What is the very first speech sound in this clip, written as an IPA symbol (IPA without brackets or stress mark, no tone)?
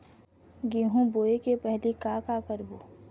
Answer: ɡ